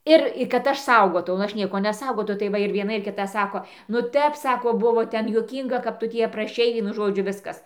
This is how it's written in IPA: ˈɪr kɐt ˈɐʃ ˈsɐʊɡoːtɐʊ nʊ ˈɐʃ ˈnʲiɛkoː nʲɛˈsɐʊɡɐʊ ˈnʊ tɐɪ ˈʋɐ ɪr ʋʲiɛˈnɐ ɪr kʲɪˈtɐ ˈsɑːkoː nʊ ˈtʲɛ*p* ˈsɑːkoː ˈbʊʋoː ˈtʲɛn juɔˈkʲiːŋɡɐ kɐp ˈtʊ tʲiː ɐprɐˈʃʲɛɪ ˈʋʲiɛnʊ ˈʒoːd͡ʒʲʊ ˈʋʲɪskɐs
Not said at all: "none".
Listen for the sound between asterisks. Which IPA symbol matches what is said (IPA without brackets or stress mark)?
p